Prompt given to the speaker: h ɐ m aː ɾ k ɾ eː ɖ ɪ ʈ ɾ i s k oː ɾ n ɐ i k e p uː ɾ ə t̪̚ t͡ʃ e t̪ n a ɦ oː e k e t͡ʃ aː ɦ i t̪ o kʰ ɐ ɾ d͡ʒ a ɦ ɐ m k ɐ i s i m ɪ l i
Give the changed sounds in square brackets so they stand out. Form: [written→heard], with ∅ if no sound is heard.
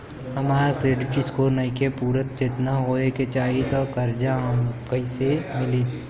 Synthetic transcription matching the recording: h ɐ m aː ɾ k ɾ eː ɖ ɪ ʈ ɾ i s k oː ɾ n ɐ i k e p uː ɾ ə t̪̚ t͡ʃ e t̪ n a ɦ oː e k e t͡ʃ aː ɦ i t̪ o [kʰ→k] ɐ ɾ d͡ʒ a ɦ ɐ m k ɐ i s [i→e] m ɪ l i